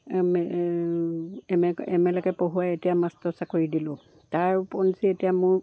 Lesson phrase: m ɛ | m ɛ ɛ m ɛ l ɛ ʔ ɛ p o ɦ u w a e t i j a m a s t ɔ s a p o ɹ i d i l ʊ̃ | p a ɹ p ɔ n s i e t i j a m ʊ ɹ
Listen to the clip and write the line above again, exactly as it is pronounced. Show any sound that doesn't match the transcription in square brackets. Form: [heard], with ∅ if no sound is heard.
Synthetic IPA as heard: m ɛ | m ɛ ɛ m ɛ l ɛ [k] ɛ p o ɦ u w a e t i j a m a s t ɔ s a [k] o ɹ i d i l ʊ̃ | [t] a ɹ p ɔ n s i e t i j a m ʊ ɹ

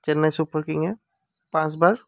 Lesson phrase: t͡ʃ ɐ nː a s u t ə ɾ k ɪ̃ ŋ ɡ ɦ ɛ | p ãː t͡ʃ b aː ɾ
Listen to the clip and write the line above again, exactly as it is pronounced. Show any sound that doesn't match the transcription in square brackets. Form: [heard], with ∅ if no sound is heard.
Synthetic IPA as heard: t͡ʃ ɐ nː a s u [p] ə ɾ k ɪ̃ ŋ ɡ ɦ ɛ | p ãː t͡ʃ b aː ɾ

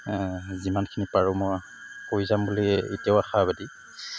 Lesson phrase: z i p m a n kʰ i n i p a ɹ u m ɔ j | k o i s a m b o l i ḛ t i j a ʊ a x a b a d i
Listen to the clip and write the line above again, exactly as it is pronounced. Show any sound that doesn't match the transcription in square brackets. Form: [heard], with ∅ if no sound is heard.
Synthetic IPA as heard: z i [∅] m a n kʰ i n i p a ɹ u m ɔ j | k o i [z] a m b [u] l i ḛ t i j a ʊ a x a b a d i

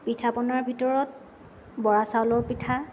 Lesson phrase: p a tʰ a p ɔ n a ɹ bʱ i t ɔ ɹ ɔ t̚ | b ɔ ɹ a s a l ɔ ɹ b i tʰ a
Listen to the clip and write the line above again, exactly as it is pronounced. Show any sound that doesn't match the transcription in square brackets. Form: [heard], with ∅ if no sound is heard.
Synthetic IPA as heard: p [i] tʰ a p ɔ n a ɹ bʱ i t ɔ ɹ ɔ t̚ | b ɔ ɹ a s a l ɔ ɹ [p] i tʰ a

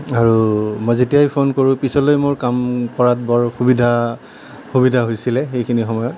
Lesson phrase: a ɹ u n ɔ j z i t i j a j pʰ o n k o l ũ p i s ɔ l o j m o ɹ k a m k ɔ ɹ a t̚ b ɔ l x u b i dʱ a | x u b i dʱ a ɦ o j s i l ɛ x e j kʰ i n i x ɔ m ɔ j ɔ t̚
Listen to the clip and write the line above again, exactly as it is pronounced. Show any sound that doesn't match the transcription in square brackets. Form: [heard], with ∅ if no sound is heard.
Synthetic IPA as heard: a ɹ u [m] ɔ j z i t i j a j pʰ o n k o [ɹ] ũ p i s ɔ l o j m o ɹ k a m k ɔ ɹ a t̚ b ɔ [ɹ] x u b i dʱ a | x u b i dʱ a ɦ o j s i l ɛ x e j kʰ i n i x ɔ m ɔ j ɔ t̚

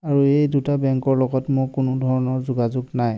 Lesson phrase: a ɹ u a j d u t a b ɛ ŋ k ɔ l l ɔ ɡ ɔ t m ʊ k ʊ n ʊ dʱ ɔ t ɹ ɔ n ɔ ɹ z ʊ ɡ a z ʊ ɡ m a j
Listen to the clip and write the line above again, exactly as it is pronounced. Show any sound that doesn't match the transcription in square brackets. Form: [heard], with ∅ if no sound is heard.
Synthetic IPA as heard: a ɹ u [e] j d u t a b ɛ ŋ k ɔ [ɹ] l ɔ ɡ ɔ t m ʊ k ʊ n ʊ dʱ ɔ [∅] ɹ ɔ n ɔ ɹ z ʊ ɡ a z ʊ ɡ [n] a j

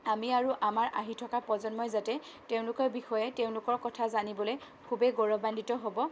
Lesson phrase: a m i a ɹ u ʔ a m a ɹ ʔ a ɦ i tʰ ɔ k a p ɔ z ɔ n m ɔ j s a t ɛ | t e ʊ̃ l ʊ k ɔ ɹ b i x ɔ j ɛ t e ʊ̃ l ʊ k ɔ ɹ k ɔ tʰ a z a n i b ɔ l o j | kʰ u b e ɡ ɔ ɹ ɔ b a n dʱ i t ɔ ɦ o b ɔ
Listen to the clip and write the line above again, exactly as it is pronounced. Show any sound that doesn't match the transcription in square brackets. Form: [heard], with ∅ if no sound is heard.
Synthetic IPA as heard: a m i a ɹ u ʔ a m a ɹ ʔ a ɦ i tʰ ɔ k a p ɔ z ɔ n m ɔ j [z] a t ɛ | t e ʊ̃ l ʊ k ɔ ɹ b i x ɔ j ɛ t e ʊ̃ l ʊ k ɔ ɹ k ɔ tʰ a z a n i b ɔ l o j | kʰ u b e ɡ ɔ ɹ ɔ b a n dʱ i t ɔ ɦ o b ɔ

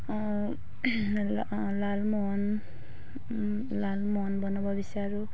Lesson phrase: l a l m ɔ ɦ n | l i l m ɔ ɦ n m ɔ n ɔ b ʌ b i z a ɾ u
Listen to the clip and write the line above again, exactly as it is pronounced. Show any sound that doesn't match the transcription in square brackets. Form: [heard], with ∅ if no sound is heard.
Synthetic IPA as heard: l a l m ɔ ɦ n | l [a] l m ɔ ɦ n [b] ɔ n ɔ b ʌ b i [s] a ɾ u

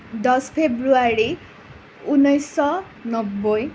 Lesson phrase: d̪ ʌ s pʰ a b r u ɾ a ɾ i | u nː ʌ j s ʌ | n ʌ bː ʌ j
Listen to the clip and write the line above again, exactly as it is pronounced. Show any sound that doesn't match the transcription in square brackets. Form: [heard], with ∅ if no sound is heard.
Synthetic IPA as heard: d̪ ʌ s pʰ [e] b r u [∅] a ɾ i | u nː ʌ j s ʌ | n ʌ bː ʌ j

